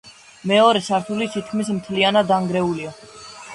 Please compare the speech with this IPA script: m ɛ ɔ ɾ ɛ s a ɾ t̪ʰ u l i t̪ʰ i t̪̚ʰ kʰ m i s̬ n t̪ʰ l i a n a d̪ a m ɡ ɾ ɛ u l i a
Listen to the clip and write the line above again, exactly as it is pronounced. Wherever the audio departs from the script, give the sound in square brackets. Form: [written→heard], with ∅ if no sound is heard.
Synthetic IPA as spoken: m ɛ ɔ ɾ ɛ s a ɾ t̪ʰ u l i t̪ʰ i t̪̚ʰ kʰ m i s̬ [n→m] t̪ʰ l i a n a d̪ a [m→ŋ] ɡ ɾ ɛ u l i a

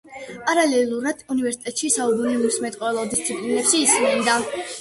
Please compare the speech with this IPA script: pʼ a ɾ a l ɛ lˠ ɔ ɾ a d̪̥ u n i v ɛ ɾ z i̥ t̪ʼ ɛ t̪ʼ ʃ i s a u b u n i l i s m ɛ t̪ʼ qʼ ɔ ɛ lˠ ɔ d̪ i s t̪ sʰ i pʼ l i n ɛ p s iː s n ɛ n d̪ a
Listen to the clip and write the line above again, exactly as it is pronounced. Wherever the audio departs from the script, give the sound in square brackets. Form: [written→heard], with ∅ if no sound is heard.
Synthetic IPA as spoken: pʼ a ɾ a l ɛ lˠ [ɔ→u] ɾ a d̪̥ u n i v ɛ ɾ [z→s] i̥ t̪ʼ ɛ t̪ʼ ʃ i s a u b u n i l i s m ɛ t̪ʼ qʼ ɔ ɛ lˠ ɔ d̪ i s t̪ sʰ i pʼ l i n ɛ p [s→ʃ] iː s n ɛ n d̪ a

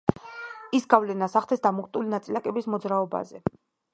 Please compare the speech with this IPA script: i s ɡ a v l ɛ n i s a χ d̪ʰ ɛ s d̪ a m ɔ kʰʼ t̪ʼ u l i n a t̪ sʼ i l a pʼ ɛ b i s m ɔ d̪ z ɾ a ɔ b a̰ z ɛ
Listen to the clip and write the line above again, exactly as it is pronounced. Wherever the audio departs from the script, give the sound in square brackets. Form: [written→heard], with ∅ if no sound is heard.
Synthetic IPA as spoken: i s ɡ a v l ɛ n [i→a] s a χ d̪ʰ ɛ s d̪ a m ɔ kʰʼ t̪ʼ u l i n a t̪ sʼ i l a [pʼ→kʼ] ɛ b i s m ɔ d̪ z ɾ a ɔ b a̰ z ɛ

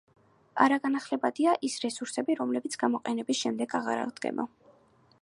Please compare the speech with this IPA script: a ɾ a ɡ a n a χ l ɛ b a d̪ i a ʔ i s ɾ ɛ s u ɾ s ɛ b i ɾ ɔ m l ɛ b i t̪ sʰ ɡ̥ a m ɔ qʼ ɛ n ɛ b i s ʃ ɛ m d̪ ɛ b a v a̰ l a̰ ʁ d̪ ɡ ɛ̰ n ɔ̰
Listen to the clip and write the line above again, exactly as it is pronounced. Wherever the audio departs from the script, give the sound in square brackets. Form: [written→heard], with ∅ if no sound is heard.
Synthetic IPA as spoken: a ɾ a ɡ a n a χ l ɛ b a d̪ i a ʔ i s ɾ ɛ s u ɾ s ɛ b i ɾ ɔ m l ɛ b i t̪ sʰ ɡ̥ a m ɔ qʼ ɛ n ɛ b i s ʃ ɛ m d̪ ɛ [b→ɡ] a [v→ʁ] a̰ [l→ɾ] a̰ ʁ d̪ ɡ ɛ̰ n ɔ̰

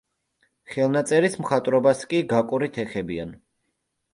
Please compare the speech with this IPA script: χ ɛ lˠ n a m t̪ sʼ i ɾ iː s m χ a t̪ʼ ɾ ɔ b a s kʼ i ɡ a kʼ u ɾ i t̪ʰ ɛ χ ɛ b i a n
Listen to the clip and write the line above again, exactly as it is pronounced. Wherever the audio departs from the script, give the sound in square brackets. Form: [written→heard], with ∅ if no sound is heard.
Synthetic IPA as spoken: χ ɛ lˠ n a [m→∅] t̪ sʼ [i→ɛ] ɾ [iː→i] s m χ a t̪ʼ ɾ ɔ b a s kʼ i ɡ a kʼ u ɾ i t̪ʰ ɛ χ ɛ b i a n

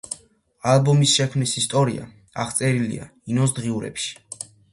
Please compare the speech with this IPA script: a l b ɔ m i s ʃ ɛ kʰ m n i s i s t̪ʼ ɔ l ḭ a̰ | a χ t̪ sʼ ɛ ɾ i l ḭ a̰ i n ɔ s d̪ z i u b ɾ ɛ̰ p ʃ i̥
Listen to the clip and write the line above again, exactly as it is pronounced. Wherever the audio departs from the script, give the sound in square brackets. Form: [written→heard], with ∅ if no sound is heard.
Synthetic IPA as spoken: a l b ɔ m i s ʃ ɛ kʰ m n i s i s t̪ʼ ɔ [l→ɾ] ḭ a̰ | a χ t̪ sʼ ɛ ɾ i l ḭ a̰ i n ɔ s d̪ [z→ʁ] i u [b→∅] ɾ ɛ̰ p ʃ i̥

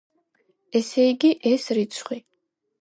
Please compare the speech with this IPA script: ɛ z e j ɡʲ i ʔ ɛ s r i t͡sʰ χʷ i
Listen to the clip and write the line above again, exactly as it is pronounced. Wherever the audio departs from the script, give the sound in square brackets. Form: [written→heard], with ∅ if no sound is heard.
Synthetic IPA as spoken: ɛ [z→s] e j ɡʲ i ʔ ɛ s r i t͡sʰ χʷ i

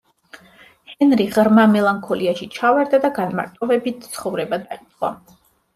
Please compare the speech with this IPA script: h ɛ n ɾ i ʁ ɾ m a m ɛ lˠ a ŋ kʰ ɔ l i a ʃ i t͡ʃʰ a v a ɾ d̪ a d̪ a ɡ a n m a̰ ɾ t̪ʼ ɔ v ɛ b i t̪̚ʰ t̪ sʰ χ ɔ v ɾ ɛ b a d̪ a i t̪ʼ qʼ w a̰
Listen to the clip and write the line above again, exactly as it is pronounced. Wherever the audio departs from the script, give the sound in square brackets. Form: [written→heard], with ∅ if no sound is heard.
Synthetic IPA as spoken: h ɛ n ɾ i ʁ ɾ m a m ɛ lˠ a ŋ kʰ ɔ l i a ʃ i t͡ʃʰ a v a ɾ d̪ a d̪ a ɡ a n m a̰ ɾ t̪ʼ ɔ v ɛ b i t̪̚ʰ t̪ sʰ χ ɔ v ɾ ɛ b a d̪ a i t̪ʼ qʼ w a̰

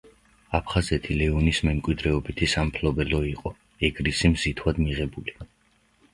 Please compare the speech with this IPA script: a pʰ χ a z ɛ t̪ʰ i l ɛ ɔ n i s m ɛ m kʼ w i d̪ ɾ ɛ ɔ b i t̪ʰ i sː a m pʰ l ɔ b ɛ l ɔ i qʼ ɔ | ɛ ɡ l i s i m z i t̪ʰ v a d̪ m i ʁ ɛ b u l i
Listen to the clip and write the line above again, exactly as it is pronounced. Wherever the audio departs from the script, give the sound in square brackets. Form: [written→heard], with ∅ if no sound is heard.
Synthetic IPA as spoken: a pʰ χ a z ɛ t̪ʰ i l ɛ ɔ n i s m ɛ m kʼ w i d̪ ɾ ɛ ɔ b i t̪ʰ i [sː→s] a m pʰ l ɔ b ɛ l ɔ i qʼ ɔ | ɛ ɡ [l→ɾ] i s i m z i t̪ʰ [v→w] a d̪ m i ʁ ɛ b u l i

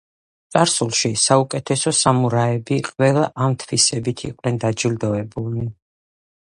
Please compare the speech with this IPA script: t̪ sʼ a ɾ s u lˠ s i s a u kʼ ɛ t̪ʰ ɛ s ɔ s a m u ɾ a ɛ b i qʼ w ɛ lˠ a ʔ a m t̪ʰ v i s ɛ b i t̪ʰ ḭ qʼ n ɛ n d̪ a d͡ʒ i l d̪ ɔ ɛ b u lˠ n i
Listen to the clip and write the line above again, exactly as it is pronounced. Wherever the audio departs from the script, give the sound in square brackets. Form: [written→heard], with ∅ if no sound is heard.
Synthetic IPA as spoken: t̪ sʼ a ɾ s u lˠ [s→ʃ] i s a u kʼ ɛ t̪ʰ ɛ s ɔ s a m u ɾ a ɛ b i qʼ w ɛ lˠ a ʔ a m t̪ʰ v i s ɛ b i t̪ʰ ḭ qʼ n ɛ n d̪ a d͡ʒ i l d̪ ɔ ɛ b u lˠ n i

